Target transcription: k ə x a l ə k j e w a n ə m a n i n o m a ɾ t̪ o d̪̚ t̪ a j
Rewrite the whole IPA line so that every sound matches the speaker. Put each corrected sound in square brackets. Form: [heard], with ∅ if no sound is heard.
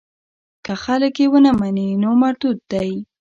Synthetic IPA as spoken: k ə x a l ə k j e w [ə] n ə m a n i n o m a ɾ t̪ [u] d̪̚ [d̪] a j